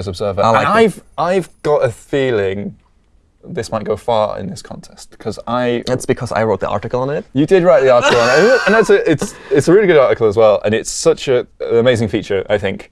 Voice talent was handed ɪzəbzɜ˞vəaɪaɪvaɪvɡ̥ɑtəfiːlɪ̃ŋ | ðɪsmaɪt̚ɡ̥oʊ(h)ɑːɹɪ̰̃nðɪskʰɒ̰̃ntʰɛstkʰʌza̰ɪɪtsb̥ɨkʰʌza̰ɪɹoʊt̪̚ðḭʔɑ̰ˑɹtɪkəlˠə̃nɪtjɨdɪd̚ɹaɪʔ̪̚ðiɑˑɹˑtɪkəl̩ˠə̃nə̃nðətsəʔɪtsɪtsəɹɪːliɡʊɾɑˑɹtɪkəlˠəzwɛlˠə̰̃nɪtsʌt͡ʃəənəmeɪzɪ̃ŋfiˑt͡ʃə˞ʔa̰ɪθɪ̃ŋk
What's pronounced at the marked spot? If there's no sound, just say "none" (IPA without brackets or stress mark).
f